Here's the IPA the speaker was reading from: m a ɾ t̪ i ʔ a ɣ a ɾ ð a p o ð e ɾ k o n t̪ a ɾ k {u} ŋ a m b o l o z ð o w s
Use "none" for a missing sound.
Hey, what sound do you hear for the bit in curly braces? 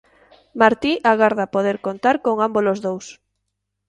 o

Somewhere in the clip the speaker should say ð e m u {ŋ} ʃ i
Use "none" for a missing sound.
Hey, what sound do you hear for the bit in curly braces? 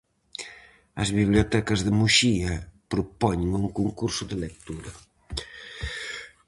none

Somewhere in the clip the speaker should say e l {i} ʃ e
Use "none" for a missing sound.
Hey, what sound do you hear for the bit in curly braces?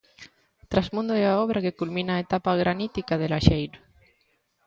a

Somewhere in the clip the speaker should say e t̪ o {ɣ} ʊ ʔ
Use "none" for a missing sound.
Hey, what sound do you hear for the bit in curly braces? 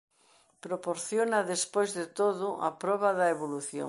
ð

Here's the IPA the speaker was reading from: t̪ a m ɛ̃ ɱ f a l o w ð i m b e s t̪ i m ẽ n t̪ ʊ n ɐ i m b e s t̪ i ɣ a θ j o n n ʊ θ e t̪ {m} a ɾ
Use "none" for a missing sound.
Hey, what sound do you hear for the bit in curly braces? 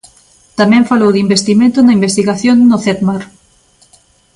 m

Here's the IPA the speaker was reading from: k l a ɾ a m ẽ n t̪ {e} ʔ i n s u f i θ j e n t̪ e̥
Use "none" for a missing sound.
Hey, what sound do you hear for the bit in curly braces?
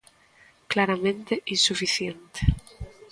e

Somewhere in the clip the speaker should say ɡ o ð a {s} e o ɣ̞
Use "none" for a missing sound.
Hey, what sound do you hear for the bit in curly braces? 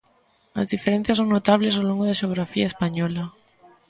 ʃ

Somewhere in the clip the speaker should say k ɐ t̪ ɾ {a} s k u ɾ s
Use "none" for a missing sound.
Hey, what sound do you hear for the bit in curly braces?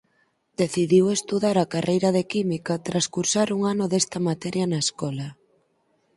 a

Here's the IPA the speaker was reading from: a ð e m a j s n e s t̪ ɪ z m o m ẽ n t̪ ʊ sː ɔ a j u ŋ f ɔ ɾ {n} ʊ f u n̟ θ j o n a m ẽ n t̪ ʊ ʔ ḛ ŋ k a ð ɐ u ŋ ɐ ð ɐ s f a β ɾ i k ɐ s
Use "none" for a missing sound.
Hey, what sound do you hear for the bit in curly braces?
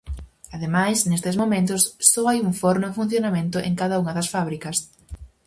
n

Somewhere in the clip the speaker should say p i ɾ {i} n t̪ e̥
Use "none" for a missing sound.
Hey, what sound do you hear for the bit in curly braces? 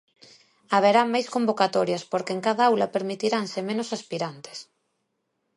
a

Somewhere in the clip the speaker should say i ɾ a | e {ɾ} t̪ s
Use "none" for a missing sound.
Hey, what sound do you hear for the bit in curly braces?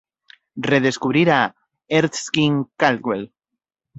ɾ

